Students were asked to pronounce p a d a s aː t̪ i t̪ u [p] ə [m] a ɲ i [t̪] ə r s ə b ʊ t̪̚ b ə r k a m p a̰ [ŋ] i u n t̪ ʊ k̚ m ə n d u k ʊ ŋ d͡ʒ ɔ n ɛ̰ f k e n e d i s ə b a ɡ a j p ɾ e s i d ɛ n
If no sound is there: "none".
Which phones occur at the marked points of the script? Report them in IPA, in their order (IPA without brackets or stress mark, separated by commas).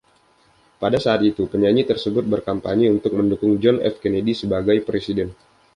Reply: p, ɲ, t̪, ɲ